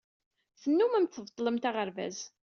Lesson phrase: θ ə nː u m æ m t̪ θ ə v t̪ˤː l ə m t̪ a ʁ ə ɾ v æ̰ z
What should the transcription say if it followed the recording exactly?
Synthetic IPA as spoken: θ ə nː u m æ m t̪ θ ə v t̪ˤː l ə m t̪ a ʁ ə ɾ v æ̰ z